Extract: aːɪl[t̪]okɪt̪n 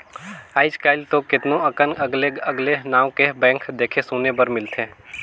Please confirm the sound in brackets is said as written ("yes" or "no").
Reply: yes